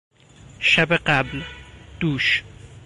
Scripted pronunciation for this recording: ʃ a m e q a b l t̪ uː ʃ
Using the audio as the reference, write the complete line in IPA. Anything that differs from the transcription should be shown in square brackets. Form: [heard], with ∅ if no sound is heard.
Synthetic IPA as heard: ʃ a [b] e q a b l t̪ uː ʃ